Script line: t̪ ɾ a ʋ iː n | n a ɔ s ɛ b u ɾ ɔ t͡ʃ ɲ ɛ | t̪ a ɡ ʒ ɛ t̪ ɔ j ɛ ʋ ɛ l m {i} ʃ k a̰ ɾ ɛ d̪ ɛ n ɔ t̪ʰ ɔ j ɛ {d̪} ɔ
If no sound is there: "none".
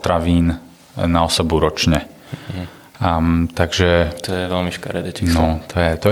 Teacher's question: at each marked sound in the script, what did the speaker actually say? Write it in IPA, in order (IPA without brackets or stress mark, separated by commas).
i, t̪